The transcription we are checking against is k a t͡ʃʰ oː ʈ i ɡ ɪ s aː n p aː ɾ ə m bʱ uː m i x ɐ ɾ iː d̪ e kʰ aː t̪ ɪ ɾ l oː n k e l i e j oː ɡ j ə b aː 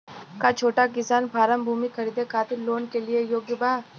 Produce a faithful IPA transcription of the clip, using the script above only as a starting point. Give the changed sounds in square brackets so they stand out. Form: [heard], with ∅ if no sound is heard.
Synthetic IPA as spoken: k a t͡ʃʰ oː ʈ [a] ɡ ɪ s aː n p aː ɾ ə m bʱ uː m i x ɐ ɾ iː d̪ e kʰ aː t̪ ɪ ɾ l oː n k e l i e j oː ɡ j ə b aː

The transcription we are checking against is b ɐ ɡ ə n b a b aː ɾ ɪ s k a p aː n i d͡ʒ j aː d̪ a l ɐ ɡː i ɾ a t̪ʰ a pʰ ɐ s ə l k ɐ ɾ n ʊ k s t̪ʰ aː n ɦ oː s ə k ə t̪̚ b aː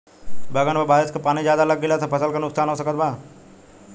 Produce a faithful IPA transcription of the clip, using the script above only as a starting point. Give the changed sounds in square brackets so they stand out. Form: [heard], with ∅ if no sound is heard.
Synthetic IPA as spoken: b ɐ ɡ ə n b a b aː ɾ ɪ s k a p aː n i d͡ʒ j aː d̪ a l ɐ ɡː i [l] a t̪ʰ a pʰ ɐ s ə l k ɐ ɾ n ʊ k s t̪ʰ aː n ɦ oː s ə k ə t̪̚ b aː

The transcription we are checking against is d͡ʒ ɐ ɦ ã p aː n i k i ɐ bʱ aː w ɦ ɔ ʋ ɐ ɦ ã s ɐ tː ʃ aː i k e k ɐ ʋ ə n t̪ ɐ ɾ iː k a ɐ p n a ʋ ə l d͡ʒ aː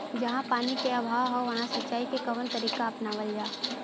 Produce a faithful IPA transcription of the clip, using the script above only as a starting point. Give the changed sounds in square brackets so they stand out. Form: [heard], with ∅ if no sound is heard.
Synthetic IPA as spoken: d͡ʒ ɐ ɦ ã p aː n i k [e] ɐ bʱ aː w ɦ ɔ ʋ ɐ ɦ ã s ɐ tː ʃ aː i k e k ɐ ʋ ə n t̪ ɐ ɾ iː k a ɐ p n a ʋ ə l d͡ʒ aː

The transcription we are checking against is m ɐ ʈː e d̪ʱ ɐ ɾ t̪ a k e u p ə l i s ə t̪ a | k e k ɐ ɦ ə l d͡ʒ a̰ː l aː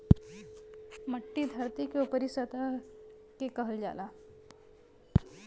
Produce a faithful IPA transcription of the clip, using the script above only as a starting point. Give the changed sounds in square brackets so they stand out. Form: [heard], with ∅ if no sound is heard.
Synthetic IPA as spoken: m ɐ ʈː [i] d̪ʱ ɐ ɾ t̪ [i] k e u p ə [ɾ] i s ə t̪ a | k e k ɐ ɦ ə l d͡ʒ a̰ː l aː

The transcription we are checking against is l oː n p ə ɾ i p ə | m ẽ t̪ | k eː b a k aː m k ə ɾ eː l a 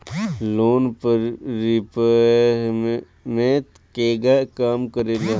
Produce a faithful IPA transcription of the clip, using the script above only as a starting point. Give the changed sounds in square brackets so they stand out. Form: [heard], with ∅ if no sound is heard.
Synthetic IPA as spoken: l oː n p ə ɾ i p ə | m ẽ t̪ | k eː [ɡ] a k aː m k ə ɾ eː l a

